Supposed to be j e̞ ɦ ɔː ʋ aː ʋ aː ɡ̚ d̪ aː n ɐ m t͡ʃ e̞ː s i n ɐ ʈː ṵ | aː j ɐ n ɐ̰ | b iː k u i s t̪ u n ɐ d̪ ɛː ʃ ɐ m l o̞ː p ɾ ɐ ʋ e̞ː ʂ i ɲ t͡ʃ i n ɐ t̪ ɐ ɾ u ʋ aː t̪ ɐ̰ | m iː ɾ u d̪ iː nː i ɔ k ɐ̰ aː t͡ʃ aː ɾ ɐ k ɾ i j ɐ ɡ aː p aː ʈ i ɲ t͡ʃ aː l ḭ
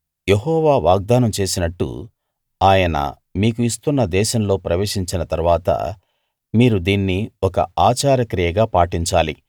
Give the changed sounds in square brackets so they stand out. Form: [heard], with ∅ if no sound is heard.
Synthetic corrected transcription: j e̞ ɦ ɔː ʋ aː ʋ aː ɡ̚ d̪ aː n ɐ m t͡ʃ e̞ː s i n ɐ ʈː ṵ | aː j ɐ n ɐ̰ | [m] iː k u i s t̪ u [nː] ɐ d̪ ɛː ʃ ɐ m l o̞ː p ɾ ɐ ʋ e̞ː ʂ i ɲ t͡ʃ i n ɐ t̪ ɐ ɾ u ʋ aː t̪ ɐ̰ | m iː ɾ u d̪ iː nː i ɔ k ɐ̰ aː t͡ʃ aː ɾ ɐ k ɾ i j ɐ ɡ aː p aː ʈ i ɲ t͡ʃ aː l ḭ